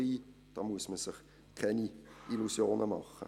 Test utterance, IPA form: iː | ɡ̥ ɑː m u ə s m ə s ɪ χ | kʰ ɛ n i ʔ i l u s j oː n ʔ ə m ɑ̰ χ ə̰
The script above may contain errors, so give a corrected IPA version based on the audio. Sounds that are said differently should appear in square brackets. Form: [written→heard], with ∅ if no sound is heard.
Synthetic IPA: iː | [ɡ̥→d̥] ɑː m u ə s m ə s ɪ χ | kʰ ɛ n i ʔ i l u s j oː n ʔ ə m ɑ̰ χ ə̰